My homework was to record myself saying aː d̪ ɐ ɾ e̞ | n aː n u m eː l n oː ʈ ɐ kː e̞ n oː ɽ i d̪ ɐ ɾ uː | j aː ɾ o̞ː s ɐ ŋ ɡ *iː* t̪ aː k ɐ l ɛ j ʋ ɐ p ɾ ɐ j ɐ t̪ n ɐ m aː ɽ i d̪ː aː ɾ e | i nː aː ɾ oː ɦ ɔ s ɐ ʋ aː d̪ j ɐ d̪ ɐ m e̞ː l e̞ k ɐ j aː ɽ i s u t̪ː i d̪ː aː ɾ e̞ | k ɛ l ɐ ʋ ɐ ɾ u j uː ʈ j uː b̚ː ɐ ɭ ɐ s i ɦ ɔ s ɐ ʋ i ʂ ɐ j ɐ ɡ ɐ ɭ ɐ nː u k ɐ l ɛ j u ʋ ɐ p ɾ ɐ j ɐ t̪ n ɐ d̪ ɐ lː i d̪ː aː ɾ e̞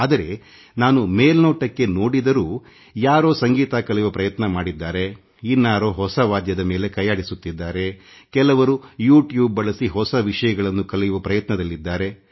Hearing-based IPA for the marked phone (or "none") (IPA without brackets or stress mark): iː